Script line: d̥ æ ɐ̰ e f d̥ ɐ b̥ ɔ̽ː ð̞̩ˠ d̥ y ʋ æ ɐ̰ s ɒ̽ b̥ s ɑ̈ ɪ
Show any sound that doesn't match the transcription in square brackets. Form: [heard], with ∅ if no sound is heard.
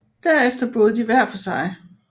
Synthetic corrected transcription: d̥ æ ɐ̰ e f d̥ ɐ b̥ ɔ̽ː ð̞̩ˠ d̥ [i] ʋ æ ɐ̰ [f] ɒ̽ [∅] s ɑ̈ ɪ